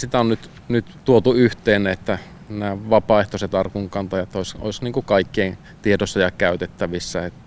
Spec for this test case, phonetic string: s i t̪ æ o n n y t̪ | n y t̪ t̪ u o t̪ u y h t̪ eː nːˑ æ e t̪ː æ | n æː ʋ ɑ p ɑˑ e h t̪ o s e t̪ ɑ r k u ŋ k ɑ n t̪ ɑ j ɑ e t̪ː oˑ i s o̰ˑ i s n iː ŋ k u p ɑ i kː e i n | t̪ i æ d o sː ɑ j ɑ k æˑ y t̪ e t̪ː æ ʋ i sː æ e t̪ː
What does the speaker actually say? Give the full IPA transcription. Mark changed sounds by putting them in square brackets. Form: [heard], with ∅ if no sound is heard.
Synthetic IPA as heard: s i t̪ æ o n n y t̪ | n y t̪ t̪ u o t̪ u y h t̪ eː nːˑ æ e t̪ː æ | n æː ʋ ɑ p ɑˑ e h t̪ o s e t̪ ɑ r k u ŋ k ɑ n t̪ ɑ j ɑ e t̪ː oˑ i s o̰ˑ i s n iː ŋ k u [k] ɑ i kː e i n | t̪ i [e] d o sː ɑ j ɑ k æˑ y t̪ e t̪ː æ ʋ i sː æ e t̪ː